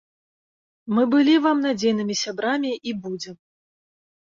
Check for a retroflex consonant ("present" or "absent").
absent